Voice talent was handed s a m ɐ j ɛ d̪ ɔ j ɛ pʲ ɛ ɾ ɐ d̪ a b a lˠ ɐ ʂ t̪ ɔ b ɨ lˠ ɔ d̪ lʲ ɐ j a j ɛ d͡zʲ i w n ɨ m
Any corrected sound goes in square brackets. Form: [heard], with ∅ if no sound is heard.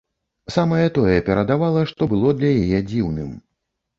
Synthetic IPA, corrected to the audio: s a m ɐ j ɛ [t̪] ɔ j ɛ pʲ ɛ ɾ ɐ d̪ a [v] a lˠ ɐ ʂ t̪ ɔ b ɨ lˠ ɔ d̪ lʲ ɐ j a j ɛ d͡zʲ i w n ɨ m